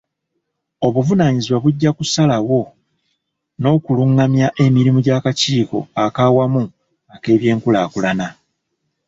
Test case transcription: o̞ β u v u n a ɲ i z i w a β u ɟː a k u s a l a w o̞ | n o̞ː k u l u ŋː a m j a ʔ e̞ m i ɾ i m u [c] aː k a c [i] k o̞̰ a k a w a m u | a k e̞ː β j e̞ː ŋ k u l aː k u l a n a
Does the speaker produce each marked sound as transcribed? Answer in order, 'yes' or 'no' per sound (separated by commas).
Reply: no, no